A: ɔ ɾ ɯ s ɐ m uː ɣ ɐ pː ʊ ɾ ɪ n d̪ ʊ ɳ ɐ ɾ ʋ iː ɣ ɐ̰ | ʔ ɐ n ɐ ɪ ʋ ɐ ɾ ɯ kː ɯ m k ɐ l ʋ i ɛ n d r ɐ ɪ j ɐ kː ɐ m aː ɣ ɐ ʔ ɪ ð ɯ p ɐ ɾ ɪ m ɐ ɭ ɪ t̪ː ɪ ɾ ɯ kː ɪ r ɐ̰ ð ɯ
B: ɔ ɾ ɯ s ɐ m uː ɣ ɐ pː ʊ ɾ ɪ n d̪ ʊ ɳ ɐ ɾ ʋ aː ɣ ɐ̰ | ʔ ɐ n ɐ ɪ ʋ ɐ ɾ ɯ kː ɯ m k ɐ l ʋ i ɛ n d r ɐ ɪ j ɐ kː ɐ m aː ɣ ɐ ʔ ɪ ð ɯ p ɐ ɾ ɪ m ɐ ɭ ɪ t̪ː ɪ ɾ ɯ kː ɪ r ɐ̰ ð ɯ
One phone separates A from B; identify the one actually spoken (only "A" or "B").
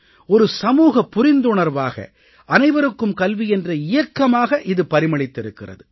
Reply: B